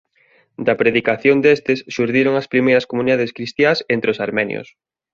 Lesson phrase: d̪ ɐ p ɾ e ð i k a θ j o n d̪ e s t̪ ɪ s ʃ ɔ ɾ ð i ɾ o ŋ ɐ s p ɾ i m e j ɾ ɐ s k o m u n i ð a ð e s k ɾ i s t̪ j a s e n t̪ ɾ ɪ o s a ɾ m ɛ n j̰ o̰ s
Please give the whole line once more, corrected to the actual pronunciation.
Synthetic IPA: d̪ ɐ p ɾ e ð i k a θ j o n d̪ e s t̪ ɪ s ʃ u ɾ ð i ɾ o ŋ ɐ s p ɾ i m e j ɾ ɐ s k o m u n i ð a ð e s k ɾ i s t̪ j a s e n t̪ ɾ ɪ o s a ɾ m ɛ n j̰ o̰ s